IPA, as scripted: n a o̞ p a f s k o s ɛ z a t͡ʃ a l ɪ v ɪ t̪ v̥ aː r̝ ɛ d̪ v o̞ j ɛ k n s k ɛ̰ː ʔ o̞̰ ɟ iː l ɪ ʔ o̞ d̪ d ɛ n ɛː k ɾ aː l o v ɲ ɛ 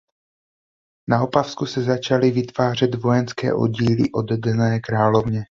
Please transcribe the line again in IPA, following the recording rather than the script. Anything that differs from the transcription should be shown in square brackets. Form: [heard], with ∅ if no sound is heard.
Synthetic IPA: n a o̞ p a f s k [u] s ɛ z a t͡ʃ a l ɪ v ɪ t̪ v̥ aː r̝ ɛ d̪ v o̞ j ɛ [∅] n s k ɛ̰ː ʔ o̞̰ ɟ iː l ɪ ʔ o̞ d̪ d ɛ n ɛː k ɾ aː l o v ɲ ɛ